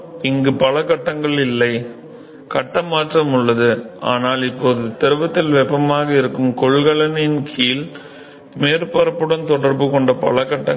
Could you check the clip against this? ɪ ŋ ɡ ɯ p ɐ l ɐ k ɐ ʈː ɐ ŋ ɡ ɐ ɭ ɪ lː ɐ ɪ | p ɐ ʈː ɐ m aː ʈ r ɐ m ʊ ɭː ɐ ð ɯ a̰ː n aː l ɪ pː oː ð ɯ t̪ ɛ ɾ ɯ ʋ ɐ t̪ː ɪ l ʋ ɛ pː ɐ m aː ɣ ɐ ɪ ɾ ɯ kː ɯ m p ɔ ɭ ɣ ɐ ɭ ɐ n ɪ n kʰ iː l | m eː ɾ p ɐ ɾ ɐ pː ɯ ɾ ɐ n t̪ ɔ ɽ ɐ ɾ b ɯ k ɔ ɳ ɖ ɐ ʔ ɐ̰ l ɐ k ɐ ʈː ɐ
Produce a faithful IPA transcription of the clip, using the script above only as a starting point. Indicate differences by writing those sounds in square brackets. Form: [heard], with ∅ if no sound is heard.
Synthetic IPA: ɪ ŋ ɡ ɯ p ɐ l ɐ k ɐ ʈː ɐ ŋ ɡ ɐ ɭ ɪ lː ɐ ɪ | [k] ɐ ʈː ɐ m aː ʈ r ɐ m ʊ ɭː ɐ ð ɯ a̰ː n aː l ɪ pː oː ð ɯ t̪ ɛ ɾ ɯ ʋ ɐ t̪ː ɪ l ʋ ɛ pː ɐ m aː ɣ ɐ ɪ ɾ ɯ kː ɯ m [k] ɔ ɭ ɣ ɐ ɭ ɐ n ɪ n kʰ iː l | m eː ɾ p ɐ ɾ ɐ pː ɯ [ɽ] ɐ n t̪ ɔ ɽ ɐ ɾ b ɯ k ɔ ɳ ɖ ɐ [p] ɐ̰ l ɐ k ɐ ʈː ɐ